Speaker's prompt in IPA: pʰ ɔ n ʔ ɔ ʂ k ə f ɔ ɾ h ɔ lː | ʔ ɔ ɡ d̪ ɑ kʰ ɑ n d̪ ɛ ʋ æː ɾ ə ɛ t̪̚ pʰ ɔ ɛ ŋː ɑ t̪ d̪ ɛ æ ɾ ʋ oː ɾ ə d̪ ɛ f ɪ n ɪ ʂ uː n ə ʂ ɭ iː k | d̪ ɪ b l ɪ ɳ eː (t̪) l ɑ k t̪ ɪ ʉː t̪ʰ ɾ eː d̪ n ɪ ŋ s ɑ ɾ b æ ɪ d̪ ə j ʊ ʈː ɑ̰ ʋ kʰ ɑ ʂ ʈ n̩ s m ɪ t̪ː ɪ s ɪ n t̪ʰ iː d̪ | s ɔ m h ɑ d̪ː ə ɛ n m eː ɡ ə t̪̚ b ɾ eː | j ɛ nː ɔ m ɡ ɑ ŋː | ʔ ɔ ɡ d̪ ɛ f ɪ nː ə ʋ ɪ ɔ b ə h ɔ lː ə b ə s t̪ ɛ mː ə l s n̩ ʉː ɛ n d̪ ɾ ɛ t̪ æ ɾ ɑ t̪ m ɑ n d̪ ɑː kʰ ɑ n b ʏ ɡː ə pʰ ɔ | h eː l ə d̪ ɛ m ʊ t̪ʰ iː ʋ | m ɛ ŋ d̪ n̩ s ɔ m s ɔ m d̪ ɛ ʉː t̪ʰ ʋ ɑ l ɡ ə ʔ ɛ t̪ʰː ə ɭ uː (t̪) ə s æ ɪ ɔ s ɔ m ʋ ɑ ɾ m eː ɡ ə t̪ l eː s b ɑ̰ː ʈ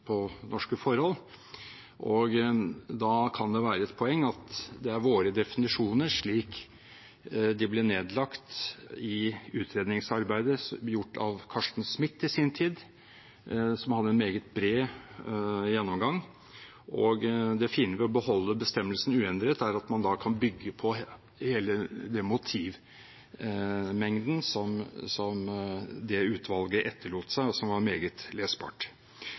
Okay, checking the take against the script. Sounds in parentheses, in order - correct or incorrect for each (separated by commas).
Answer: incorrect, correct